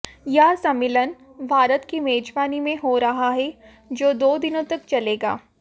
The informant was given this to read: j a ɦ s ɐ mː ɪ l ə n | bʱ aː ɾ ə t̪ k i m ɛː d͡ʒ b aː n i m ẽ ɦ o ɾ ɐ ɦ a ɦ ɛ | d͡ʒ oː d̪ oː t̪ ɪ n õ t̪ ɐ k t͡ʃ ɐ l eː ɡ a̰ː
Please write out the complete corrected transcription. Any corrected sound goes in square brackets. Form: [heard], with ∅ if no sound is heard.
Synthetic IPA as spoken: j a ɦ s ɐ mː ɪ l ə n | bʱ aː ɾ ə t̪ k i m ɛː d͡ʒ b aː n i m ẽ ɦ o ɾ ɐ ɦ a ɦ ɛ | d͡ʒ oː d̪ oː [d̪] ɪ n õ t̪ ɐ k t͡ʃ ɐ l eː ɡ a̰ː